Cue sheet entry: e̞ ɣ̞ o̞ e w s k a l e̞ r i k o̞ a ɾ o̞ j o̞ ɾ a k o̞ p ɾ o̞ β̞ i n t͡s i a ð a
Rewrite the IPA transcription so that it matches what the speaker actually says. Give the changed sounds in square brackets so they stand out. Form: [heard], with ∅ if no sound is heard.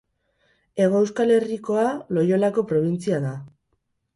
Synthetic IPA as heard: e̞ ɣ̞ o̞ e w s k a l e̞ r i k o̞ a [l] o̞ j o̞ [l] a k o̞ p ɾ o̞ β̞ i n t͡s i a ð a